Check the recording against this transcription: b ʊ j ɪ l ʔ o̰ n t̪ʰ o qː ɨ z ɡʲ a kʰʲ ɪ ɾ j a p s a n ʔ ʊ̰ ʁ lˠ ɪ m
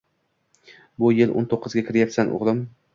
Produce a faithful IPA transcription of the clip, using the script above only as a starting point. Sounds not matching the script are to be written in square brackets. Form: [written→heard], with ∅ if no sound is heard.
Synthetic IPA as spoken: b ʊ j ɪ l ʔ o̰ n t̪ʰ o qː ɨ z ɡʲ a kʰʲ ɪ ɾ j a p s a n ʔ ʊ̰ ʁ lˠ ɪ m